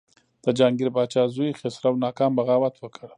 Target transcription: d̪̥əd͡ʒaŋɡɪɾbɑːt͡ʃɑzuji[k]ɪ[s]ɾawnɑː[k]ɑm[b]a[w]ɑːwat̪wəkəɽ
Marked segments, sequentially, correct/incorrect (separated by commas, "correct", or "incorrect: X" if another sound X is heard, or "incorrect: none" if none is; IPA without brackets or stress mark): incorrect: x, correct, correct, correct, incorrect: ɣ